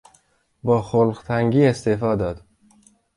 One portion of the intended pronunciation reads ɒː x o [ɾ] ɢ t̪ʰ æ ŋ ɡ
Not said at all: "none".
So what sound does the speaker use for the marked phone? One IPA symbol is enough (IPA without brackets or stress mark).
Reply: l